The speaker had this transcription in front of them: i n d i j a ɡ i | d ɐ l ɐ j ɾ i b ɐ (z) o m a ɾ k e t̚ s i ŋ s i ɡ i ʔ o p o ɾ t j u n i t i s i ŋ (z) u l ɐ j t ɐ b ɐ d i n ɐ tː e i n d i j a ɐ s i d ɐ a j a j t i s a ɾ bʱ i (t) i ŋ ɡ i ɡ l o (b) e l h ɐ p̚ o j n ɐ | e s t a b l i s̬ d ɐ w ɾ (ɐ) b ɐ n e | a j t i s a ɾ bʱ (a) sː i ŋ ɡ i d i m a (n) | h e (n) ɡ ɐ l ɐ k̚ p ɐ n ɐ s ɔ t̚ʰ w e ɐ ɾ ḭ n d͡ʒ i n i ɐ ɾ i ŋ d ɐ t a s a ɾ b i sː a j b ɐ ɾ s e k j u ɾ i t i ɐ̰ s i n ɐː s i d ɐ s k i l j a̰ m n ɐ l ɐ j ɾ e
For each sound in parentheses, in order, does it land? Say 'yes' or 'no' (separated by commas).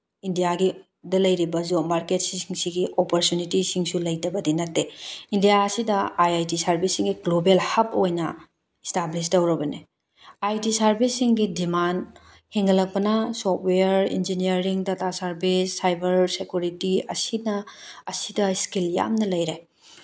yes, no, no, yes, yes, no, yes, no